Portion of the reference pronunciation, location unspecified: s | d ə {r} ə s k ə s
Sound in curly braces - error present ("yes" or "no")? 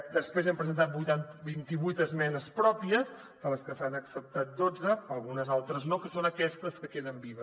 yes